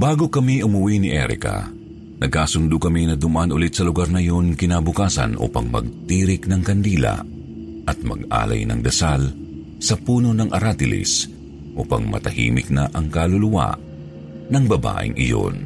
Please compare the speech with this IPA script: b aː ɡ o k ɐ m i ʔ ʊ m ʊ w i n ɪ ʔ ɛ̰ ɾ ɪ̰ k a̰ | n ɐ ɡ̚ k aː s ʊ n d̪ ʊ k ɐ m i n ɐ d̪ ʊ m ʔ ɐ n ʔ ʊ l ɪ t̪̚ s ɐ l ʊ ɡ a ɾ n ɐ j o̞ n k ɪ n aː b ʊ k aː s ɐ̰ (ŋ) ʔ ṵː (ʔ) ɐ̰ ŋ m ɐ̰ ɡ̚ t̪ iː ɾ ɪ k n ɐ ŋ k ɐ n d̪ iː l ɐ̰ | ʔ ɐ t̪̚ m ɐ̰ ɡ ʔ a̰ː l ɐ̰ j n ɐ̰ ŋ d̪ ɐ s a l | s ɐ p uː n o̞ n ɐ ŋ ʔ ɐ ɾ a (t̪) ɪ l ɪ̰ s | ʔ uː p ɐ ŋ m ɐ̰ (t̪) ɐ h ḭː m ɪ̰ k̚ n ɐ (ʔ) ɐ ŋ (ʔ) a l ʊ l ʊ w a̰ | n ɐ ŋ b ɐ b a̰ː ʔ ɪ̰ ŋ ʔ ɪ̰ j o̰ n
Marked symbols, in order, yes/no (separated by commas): no, no, yes, yes, yes, no